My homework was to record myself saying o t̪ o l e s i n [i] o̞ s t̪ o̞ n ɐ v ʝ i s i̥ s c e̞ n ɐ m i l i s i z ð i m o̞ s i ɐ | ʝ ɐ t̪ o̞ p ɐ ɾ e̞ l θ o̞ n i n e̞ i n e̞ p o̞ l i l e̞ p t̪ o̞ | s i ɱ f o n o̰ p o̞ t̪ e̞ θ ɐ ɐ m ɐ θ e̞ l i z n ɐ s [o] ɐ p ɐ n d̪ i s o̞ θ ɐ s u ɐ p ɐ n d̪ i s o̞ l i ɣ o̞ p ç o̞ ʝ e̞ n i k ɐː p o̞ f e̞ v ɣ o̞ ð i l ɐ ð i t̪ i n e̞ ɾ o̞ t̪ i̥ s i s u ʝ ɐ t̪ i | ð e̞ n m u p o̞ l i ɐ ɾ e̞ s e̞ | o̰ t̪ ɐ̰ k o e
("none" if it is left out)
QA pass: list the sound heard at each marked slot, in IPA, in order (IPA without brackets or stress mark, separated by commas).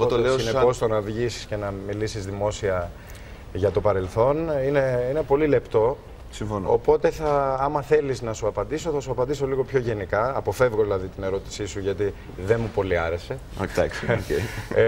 e, u